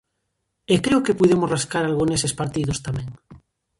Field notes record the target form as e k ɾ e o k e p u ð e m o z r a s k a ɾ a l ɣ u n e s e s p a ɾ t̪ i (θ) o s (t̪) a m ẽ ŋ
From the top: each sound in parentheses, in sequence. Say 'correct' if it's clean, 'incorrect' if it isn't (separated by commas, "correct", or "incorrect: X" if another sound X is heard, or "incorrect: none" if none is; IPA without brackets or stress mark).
incorrect: ð, correct